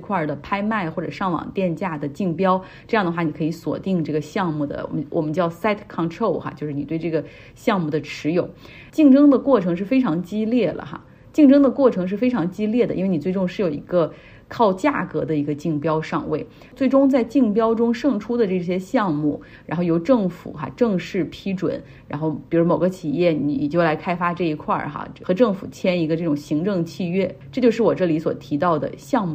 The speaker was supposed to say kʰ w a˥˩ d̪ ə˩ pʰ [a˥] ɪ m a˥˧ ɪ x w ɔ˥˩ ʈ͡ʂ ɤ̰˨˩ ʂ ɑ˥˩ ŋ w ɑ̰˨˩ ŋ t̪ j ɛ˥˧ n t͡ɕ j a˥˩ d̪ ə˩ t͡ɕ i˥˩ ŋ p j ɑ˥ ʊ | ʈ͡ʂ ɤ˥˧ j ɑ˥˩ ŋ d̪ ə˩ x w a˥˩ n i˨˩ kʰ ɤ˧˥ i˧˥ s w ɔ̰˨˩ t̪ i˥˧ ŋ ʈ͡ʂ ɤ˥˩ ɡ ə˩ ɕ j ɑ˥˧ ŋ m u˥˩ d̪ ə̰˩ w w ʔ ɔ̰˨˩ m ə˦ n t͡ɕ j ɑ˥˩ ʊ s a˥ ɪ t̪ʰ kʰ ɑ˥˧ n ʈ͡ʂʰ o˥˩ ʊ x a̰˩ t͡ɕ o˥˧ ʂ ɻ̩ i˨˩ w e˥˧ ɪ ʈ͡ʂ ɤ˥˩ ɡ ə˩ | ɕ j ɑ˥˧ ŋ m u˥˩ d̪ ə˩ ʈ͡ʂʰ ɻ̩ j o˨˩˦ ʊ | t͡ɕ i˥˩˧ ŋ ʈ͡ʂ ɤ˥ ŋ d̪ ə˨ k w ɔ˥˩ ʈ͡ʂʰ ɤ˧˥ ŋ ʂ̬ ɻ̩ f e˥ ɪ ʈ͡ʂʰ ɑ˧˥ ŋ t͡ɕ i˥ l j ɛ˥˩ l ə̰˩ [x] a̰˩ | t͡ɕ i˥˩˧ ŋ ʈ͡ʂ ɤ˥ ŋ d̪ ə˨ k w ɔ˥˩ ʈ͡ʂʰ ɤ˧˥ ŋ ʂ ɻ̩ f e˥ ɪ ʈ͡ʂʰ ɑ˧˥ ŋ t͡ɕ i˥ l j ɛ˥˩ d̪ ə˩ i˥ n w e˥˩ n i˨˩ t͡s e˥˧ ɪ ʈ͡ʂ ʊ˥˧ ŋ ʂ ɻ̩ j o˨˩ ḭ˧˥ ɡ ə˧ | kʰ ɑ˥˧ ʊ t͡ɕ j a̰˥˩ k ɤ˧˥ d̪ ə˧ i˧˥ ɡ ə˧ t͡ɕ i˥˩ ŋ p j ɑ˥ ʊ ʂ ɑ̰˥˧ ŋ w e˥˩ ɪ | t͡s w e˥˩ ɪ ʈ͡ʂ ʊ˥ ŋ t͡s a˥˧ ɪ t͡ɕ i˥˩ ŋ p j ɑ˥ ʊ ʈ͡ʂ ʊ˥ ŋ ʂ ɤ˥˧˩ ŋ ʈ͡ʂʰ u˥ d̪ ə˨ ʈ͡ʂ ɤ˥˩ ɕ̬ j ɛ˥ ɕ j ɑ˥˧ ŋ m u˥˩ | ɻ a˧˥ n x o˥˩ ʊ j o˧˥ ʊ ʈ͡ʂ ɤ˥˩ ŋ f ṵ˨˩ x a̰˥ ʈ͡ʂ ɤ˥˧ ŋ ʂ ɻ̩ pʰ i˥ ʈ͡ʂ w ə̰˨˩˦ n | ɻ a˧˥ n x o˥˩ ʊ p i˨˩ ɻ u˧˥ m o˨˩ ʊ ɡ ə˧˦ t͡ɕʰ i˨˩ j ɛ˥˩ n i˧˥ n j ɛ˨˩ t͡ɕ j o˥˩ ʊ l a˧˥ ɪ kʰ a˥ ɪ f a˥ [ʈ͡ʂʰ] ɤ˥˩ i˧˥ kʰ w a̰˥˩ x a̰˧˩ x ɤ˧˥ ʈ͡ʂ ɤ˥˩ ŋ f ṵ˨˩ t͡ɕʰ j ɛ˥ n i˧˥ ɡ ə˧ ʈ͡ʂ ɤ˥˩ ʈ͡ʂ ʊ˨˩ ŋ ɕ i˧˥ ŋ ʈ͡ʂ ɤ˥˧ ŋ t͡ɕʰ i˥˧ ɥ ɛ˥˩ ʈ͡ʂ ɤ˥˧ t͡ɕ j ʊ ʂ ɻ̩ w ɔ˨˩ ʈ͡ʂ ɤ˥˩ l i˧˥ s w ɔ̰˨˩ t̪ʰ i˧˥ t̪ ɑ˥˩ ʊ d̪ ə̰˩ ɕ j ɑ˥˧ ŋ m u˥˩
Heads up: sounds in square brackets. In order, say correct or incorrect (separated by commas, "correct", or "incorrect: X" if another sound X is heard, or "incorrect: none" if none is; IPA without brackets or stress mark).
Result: correct, correct, incorrect: ʈ͡ʂ